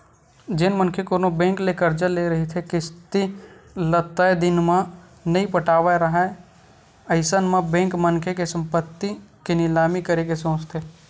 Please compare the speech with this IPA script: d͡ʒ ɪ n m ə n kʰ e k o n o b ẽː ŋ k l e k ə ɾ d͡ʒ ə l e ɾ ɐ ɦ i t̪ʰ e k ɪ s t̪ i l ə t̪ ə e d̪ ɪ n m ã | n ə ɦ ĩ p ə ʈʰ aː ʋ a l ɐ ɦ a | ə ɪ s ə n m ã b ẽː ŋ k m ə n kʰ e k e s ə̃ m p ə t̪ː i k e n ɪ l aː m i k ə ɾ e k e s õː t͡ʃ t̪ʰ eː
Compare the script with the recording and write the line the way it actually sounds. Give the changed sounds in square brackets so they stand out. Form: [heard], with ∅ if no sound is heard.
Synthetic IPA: d͡ʒ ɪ n m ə n kʰ e k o n o b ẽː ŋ k l e k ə ɾ d͡ʒ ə l e ɾ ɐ ɦ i t̪ʰ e k ɪ s t̪ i l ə t̪ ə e d̪ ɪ n m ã | n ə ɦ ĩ p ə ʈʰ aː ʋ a [ɾ] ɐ ɦ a | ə ɪ s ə n m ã b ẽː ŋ k m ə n kʰ e k e s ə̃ m p ə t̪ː i k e n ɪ l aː m i k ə ɾ e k e s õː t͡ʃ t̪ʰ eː

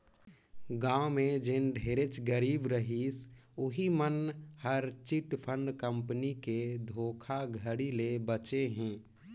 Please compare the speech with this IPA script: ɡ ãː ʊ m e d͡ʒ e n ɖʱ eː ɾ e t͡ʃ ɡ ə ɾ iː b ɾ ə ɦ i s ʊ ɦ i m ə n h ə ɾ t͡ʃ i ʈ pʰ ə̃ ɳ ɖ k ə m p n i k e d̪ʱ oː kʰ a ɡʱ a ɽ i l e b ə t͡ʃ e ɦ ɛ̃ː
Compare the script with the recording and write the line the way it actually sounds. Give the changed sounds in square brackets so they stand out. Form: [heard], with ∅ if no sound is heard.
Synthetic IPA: ɡ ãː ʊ m e d͡ʒ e n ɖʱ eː ɾ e t͡ʃ ɡ ə ɾ iː b ɾ ə ɦ i s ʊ ɦ i m ə n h ə ɾ t͡ʃ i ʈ pʰ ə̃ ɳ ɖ k ə m p n i k e d̪ʱ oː kʰ a ɡʱ [ə] ɽ i l e b ə t͡ʃ e ɦ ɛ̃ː

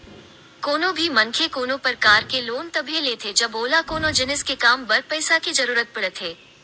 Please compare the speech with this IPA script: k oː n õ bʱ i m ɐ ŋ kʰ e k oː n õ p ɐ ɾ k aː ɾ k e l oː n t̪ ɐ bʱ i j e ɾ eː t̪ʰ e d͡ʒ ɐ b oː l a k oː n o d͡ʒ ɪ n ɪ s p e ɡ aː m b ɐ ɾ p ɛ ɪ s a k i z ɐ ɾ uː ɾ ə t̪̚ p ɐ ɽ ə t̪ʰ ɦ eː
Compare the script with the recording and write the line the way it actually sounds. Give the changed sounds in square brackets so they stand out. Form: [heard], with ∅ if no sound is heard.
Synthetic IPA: k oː n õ bʱ i m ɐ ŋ kʰ e k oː n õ p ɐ ɾ k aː ɾ k e l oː n t̪ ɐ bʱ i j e [l] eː t̪ʰ e d͡ʒ ɐ b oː l a k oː n o d͡ʒ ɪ n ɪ s [k] e [k] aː m b ɐ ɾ p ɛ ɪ s a k i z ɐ ɾ uː ɾ ə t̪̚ p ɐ ɽ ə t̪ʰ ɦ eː

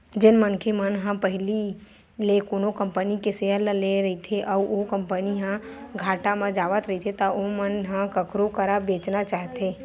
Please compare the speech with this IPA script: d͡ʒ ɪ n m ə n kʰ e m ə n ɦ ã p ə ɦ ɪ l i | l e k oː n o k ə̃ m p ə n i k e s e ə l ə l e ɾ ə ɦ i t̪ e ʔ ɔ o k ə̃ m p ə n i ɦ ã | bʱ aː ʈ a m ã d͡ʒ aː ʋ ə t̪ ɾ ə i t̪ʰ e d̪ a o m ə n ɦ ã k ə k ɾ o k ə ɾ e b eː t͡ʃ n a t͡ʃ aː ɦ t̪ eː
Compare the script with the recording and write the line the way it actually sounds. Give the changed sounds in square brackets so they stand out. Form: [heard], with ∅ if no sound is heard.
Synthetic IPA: d͡ʒ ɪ n m ə n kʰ e m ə n ɦ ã p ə ɦ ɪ l i | l e k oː n o k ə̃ m p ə n i k e s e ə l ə l e ɾ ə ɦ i [t̪ʰ] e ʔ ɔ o k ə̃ m p ə n i ɦ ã | [ɡʱ] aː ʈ a m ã d͡ʒ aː ʋ ə t̪ ɾ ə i t̪ʰ e [t̪] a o m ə n ɦ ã k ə k ɾ o k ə ɾ [a] b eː t͡ʃ n a t͡ʃ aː ɦ t̪ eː

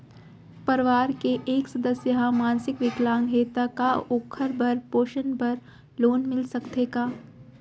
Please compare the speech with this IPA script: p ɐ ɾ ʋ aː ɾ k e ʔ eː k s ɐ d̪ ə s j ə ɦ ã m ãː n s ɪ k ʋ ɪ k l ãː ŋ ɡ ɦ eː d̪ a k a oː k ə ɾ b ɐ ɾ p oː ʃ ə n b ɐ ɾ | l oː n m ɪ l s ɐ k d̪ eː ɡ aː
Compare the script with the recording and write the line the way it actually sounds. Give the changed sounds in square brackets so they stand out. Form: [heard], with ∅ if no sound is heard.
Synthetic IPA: p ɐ ɾ ʋ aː ɾ k e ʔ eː k s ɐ d̪ ə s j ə ɦ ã m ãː n s ɪ k ʋ ɪ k l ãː ŋ ɡ ɦ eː [t̪] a k a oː [kʰ] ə ɾ b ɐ ɾ p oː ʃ ə n b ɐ ɾ | l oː n m ɪ l s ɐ k [t̪] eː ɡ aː

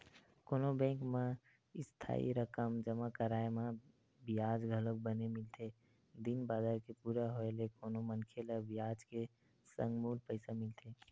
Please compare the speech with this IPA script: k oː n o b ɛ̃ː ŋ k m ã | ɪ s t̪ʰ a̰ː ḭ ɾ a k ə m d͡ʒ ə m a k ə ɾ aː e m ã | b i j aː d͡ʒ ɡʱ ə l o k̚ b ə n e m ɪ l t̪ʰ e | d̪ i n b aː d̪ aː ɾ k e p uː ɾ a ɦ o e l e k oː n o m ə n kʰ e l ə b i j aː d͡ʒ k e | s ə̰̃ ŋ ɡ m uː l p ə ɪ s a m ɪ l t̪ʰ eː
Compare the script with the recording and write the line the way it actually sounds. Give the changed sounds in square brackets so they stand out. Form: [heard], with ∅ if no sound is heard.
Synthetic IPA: k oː n o b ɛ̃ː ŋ k m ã | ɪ s t̪ʰ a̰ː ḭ ɾ [ə] k ə m d͡ʒ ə m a k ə ɾ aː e m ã | b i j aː d͡ʒ ɡʱ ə l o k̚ b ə n e m ɪ l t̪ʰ e | d̪ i n b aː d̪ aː ɾ k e p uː ɾ a ɦ o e l e k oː n o m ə n kʰ e l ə b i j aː d͡ʒ k e | s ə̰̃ ŋ ɡ m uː l p ə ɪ s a m ɪ l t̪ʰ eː

